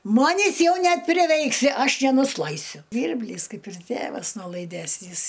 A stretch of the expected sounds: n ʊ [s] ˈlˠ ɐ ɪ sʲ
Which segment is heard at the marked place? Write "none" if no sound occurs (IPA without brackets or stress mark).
s